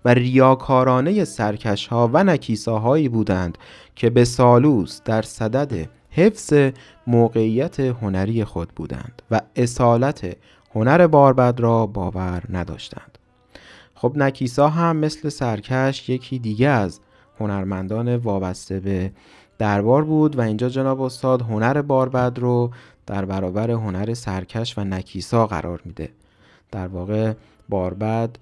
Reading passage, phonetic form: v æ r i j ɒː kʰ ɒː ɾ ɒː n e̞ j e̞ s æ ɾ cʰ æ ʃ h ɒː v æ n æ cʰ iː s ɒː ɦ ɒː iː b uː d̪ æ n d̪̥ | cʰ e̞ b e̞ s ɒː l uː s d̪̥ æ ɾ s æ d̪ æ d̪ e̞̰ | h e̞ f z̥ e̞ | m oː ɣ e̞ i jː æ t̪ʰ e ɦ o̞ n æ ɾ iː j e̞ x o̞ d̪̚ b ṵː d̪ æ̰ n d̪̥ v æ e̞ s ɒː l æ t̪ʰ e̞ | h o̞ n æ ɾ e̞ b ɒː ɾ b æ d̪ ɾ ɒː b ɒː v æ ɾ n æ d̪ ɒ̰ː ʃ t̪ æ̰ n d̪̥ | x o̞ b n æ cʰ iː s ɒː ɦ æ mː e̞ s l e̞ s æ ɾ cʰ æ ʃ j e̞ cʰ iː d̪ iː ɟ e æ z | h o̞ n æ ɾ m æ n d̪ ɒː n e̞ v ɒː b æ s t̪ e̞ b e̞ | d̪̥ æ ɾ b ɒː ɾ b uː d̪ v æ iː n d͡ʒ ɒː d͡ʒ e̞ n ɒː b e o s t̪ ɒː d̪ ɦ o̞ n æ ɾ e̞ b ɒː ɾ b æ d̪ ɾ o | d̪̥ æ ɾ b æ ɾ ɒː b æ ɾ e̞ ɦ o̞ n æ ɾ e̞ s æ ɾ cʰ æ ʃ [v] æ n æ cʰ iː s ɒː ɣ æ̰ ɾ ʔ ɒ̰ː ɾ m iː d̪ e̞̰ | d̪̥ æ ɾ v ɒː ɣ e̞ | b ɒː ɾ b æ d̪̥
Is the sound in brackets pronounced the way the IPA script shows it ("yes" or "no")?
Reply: yes